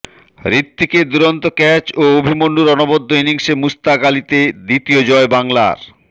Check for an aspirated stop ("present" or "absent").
absent